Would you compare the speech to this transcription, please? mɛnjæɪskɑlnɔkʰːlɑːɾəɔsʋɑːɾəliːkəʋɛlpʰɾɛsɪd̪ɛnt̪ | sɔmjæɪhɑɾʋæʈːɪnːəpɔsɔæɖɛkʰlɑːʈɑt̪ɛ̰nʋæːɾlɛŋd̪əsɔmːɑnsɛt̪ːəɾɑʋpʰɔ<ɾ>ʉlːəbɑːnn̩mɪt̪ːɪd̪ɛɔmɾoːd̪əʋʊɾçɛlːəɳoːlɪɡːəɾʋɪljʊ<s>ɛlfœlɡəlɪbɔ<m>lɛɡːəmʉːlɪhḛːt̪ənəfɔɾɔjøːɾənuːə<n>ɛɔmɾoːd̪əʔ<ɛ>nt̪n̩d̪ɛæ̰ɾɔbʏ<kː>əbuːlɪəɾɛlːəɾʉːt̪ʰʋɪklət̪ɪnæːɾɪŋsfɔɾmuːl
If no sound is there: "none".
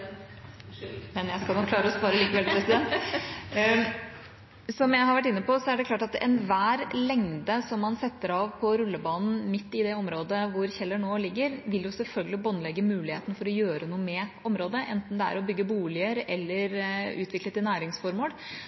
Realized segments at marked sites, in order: ɾ, s, n, m, ɛ, ɡː

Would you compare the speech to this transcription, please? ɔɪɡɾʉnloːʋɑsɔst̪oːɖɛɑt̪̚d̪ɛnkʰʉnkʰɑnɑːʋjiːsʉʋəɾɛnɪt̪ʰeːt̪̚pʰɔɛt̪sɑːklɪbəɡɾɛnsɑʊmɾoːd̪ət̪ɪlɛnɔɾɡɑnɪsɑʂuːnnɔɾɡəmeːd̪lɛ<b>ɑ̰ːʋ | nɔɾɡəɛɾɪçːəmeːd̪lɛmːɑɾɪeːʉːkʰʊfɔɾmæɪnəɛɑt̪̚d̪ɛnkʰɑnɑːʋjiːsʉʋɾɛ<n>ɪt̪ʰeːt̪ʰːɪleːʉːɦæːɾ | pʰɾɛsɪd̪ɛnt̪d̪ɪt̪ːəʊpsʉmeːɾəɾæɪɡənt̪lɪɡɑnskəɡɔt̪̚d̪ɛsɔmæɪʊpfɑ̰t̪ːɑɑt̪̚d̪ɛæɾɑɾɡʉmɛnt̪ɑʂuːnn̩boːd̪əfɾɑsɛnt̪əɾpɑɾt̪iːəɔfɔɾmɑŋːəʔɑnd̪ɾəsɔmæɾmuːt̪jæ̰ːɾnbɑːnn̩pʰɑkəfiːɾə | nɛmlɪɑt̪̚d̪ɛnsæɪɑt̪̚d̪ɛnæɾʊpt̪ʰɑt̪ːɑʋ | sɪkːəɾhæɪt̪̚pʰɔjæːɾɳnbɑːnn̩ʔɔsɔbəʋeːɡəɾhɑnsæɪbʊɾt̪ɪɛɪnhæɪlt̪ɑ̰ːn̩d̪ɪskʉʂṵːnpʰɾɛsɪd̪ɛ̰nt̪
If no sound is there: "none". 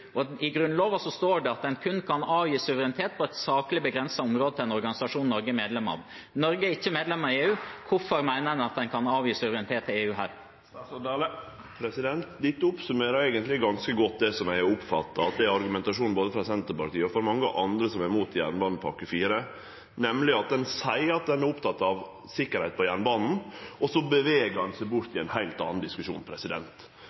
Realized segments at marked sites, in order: m, n

